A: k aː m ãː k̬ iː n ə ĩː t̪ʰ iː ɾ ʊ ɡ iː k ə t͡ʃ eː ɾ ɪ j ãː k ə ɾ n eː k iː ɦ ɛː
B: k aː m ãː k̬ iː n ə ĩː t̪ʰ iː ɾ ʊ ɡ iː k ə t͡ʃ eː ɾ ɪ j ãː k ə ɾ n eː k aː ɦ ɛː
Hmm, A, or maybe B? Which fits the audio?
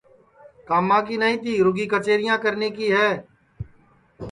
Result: A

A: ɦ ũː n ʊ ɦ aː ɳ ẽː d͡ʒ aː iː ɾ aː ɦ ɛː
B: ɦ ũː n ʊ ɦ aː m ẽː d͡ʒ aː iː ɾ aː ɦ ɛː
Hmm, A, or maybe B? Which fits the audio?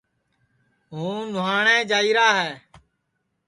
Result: A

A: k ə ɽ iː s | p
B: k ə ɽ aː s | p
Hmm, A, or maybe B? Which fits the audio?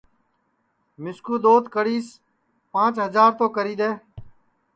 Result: A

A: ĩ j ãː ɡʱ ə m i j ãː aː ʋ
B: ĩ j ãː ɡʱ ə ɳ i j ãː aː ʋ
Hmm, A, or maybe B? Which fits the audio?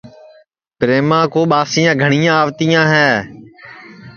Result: B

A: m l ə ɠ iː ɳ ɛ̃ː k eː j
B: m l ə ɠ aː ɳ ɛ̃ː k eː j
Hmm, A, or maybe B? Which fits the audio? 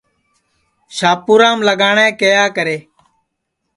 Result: B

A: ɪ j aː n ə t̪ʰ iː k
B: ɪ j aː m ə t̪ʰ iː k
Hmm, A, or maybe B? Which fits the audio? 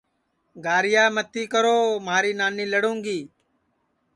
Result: B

